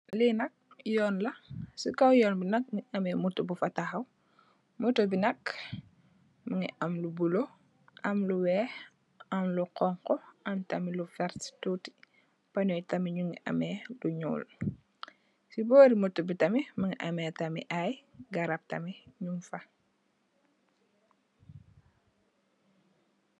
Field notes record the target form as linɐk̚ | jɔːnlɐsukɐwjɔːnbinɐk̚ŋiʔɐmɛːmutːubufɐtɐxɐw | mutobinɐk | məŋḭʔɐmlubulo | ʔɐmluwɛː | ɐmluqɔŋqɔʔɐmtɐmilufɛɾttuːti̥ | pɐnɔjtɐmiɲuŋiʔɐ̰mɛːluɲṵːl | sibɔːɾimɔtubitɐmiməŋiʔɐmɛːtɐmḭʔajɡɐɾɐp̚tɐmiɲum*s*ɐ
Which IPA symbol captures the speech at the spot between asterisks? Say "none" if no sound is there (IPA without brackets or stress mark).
f